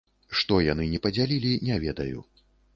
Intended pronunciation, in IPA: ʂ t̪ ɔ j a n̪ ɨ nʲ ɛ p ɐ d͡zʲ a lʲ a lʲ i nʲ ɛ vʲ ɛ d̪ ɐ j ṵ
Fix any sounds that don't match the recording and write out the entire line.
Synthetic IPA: ʂ t̪ ɔ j a n̪ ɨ nʲ ɛ p ɐ d͡zʲ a lʲ i lʲ i nʲ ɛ vʲ ɛ d̪ ɐ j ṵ

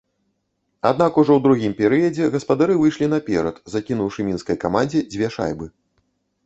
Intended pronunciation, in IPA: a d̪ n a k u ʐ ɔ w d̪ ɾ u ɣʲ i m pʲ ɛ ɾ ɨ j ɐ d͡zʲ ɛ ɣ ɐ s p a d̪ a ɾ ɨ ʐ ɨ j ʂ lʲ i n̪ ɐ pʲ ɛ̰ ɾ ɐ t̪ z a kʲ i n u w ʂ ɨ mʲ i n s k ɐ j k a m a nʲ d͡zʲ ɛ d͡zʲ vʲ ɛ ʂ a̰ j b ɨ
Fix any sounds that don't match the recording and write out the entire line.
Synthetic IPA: a d̪ n a k u ʐ ɔ w d̪ ɾ u ɣʲ i m pʲ ɛ ɾ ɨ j ɐ d͡zʲ ɛ ɣ ɐ s p a d̪ a ɾ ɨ v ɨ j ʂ lʲ i n̪ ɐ pʲ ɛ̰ ɾ ɐ t̪ z a kʲ i n u w ʂ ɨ mʲ i n s k ɐ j k a m a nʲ d͡zʲ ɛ d͡zʲ vʲ ɛ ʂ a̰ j b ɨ

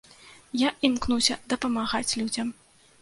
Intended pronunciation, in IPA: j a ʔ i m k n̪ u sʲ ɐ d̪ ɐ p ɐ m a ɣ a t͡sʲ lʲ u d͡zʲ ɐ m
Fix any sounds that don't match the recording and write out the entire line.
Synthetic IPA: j a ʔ i m k n̪ u sʲ ɐ d̪ ɐ p ɐ m a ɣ a t͡sʲ lʲ u d͡zʲ ɐ m

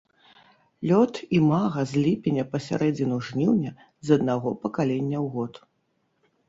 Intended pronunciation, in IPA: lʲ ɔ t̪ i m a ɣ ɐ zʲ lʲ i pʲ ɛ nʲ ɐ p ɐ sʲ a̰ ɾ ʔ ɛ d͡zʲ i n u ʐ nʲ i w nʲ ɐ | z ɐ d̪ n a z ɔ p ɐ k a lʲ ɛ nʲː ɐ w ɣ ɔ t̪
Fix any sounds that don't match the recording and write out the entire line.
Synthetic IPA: lʲ ɔ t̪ i m a ɣ ɐ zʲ lʲ i pʲ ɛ nʲ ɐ p ɐ sʲ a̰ ɾ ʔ ɛ d͡zʲ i n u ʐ nʲ i w nʲ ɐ | z ɐ d̪ n a ɣ ɔ p ɐ k a lʲ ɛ nʲː ɐ w ɣ ɔ t̪

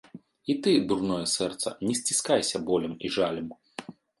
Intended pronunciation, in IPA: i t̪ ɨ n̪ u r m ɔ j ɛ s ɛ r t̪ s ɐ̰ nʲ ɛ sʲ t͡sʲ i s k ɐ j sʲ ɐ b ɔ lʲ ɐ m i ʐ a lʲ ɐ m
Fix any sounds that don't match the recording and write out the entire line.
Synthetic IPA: i t̪ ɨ d̪ u r n ɔ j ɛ s ɛ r t̪ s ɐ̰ nʲ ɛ sʲ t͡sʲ i s k a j sʲ ɐ b ɔ lʲ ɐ m i ʐ a lʲ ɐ m

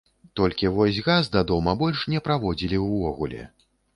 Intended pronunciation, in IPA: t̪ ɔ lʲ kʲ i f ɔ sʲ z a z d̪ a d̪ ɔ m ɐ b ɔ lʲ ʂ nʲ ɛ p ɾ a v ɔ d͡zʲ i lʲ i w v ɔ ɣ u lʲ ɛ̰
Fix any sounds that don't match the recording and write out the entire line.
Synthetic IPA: t̪ ɔ lʲ kʲ i v ɔ sʲ ɣ a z d̪ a d̪ ɔ m ɐ b ɔ lʲ ʂ nʲ ɛ p ɾ a v ɔ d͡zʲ i lʲ i w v ɔ ɣ u lʲ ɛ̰

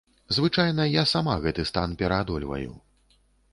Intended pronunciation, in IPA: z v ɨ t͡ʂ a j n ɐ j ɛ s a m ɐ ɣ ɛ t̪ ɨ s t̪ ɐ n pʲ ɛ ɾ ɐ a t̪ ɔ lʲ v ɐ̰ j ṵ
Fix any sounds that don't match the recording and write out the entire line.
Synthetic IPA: z v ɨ t͡ʂ a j n ɐ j a s a m a ɣ ɛ t̪ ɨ s t̪ a n pʲ ɛ ɾ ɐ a d̪ ɔ lʲ v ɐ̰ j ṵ

